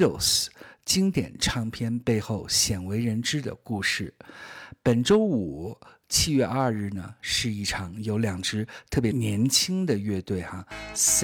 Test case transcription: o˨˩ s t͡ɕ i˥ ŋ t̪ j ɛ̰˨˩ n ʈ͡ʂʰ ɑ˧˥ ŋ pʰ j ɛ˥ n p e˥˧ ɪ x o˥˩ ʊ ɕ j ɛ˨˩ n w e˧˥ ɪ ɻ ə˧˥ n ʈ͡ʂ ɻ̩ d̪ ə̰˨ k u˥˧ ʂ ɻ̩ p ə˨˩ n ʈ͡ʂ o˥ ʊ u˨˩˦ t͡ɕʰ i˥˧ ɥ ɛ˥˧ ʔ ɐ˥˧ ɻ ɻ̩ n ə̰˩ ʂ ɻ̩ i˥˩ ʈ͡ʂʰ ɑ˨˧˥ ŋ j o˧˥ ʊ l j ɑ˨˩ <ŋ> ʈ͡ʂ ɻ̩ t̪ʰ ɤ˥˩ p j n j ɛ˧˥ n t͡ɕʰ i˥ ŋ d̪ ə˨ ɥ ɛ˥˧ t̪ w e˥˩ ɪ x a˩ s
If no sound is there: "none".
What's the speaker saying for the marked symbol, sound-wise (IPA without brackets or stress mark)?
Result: ŋ